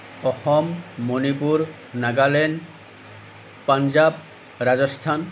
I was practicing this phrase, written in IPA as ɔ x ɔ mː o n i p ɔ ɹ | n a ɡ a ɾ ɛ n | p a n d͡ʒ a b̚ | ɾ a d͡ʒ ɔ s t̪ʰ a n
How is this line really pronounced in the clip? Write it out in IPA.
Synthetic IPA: ɔ x ɔ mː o n i p u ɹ | n a ɡ a l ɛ n | p a n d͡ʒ a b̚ | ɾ a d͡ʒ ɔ s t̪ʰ a n